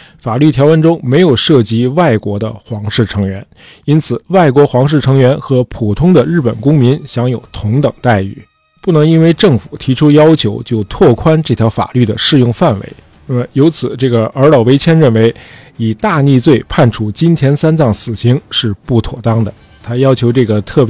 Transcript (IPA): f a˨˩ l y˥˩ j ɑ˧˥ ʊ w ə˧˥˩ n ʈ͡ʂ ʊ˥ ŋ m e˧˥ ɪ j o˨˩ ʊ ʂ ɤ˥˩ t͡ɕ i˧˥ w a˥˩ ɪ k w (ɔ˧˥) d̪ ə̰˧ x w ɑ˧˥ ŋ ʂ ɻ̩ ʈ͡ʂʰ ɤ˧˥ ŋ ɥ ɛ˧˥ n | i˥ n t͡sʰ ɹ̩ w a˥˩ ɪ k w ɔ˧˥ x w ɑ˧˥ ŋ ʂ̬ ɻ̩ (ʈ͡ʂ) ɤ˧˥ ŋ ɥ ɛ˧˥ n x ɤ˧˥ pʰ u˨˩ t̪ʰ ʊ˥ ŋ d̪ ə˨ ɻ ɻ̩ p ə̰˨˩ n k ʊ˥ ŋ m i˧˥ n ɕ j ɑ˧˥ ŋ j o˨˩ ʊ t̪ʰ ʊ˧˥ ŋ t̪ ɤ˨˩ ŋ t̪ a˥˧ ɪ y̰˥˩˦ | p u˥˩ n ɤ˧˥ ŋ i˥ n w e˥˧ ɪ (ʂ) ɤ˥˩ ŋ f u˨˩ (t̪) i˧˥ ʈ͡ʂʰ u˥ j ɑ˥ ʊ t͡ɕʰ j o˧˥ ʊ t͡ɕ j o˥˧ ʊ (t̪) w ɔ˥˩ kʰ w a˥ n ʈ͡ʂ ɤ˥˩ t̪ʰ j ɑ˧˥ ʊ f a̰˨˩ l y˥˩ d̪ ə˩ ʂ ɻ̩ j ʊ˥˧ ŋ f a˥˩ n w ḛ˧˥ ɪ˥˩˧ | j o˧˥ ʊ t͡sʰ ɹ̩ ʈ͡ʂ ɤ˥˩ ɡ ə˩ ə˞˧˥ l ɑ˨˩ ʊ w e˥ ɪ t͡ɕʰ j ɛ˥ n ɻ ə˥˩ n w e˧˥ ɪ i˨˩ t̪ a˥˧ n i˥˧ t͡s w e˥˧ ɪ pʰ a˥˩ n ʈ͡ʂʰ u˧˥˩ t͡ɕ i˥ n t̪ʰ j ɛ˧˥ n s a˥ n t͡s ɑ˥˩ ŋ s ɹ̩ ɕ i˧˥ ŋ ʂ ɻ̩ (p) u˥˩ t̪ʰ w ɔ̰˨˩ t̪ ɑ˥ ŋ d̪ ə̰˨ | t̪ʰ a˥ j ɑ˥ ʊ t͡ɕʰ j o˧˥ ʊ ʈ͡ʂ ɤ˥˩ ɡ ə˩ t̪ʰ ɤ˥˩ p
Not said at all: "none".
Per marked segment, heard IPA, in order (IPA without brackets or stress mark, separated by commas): ɔ˧˥, ʈ͡ʂʰ, ʈ͡ʂ, t̪ʰ, t̪ʰ, p